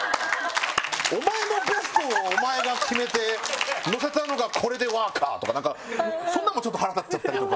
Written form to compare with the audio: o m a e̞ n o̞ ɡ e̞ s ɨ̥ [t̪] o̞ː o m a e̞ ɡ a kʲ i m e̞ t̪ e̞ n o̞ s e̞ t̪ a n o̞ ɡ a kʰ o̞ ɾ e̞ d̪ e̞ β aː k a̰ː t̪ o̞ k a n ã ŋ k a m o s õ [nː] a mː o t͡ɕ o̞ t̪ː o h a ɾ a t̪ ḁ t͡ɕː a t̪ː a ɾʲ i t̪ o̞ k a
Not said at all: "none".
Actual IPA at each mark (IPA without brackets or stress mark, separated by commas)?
t̪, nː